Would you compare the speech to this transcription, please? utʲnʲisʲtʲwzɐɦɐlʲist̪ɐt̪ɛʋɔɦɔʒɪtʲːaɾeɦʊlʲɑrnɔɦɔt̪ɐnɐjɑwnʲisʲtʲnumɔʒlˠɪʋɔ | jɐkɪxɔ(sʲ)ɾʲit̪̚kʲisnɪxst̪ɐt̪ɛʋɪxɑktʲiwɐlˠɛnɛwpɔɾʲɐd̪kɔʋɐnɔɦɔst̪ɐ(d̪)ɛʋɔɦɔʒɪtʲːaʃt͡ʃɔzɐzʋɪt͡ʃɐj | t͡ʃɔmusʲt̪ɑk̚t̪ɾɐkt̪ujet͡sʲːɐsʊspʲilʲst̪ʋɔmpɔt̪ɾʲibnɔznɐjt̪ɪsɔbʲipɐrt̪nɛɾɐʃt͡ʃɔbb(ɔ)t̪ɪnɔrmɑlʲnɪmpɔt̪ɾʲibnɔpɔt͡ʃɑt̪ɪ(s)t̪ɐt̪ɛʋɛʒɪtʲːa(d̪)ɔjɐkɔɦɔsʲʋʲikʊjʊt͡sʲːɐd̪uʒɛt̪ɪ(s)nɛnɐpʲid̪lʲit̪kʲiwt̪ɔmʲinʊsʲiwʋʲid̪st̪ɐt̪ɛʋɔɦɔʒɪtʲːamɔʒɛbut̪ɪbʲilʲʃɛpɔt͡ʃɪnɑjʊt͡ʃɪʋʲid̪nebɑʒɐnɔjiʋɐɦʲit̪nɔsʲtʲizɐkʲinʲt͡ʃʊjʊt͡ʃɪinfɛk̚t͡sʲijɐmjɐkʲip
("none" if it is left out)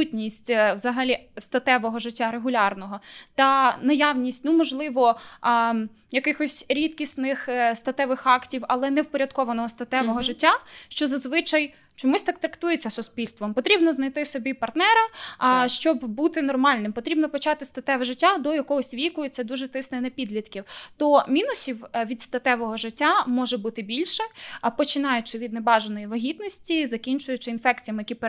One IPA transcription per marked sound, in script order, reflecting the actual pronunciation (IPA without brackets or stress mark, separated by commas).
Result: sʲ, t̪, u, s, d̪, s